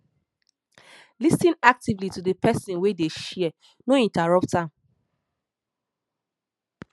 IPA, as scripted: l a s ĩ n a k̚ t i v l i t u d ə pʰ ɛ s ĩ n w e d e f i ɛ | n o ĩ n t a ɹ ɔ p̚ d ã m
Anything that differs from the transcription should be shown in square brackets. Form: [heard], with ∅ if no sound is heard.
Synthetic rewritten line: l [i] s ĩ n a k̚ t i v l i t u d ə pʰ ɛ s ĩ n w e d e [ʃ] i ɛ | n o ĩ n t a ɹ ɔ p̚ [t] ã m